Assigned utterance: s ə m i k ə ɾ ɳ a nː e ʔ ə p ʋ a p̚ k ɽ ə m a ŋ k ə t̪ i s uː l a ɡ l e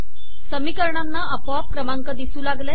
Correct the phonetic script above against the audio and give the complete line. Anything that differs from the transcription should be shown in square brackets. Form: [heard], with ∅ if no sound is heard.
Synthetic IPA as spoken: s ə m i k ə ɾ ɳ a nː [a] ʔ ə p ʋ a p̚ k [ɾ] ə m a ŋ k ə [d̪] i s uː l a ɡ l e

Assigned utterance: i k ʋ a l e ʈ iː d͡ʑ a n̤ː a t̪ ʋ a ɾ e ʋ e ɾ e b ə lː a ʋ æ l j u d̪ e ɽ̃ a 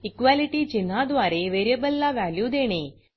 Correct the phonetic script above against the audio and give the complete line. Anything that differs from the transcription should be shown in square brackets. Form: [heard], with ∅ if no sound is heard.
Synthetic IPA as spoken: i k ʋ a l [i] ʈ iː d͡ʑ [i] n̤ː a [d̪] ʋ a ɾ e ʋ e ɾ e b ə lː a ʋ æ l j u d̪ e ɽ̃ [e]

